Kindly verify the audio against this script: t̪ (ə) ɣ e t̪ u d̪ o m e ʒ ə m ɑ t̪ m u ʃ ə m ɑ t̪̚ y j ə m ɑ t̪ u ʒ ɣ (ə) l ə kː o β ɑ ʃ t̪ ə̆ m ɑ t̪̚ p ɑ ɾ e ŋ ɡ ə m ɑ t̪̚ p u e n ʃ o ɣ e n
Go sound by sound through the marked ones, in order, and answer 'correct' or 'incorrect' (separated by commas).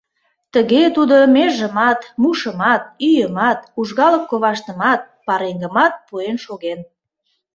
correct, incorrect